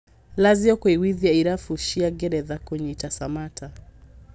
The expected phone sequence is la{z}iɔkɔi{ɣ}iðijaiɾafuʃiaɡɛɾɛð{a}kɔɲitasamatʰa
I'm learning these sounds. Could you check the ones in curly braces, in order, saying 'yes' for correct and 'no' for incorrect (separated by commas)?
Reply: yes, no, yes